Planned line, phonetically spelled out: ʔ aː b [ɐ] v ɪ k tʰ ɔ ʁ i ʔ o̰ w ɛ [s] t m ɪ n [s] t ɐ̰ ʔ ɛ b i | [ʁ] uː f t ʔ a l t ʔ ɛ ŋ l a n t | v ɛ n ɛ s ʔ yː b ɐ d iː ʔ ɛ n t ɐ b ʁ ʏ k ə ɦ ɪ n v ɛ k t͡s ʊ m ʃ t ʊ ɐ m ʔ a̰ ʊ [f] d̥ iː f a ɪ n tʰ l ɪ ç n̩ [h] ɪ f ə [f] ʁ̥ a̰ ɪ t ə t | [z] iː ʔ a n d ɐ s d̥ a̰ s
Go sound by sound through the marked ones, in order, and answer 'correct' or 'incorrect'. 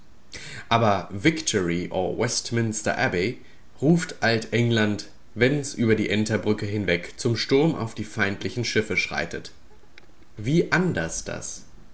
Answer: correct, correct, correct, correct, correct, incorrect, incorrect, incorrect

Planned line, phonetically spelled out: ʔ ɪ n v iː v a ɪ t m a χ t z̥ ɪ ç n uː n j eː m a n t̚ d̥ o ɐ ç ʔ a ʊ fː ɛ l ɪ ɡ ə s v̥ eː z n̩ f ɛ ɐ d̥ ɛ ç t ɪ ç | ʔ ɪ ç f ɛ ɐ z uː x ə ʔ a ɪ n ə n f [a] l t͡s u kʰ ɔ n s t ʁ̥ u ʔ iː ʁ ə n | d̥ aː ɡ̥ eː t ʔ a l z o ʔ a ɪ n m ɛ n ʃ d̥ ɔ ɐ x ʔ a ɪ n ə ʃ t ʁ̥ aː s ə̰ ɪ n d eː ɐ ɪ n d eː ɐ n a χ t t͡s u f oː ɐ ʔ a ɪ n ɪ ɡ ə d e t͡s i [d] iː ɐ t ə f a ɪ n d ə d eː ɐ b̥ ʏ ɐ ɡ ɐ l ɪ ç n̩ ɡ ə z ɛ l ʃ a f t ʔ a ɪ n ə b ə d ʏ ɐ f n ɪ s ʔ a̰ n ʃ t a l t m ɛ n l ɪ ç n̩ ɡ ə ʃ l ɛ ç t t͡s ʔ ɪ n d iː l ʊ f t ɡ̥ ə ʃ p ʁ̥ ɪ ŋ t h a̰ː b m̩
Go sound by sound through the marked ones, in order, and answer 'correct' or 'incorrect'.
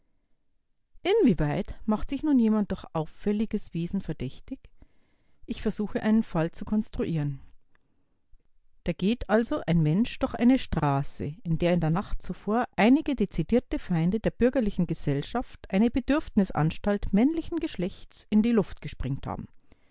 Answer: correct, correct

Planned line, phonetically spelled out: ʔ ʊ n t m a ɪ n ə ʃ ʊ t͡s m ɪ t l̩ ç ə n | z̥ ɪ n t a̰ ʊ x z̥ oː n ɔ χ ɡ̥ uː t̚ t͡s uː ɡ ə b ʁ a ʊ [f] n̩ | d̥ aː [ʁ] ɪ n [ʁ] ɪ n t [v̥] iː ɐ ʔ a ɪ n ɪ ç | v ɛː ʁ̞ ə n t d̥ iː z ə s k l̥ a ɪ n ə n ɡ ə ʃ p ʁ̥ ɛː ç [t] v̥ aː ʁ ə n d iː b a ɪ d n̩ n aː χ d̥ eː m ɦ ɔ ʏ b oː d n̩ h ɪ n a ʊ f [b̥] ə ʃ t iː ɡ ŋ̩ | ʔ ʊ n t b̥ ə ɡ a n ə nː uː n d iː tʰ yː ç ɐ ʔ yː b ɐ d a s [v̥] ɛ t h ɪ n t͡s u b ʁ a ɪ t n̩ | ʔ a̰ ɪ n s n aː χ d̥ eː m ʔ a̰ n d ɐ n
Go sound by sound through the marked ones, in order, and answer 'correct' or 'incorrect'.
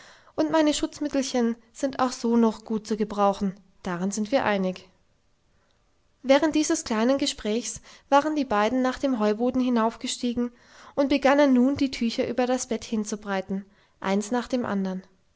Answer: incorrect, correct, incorrect, correct, incorrect, incorrect, incorrect

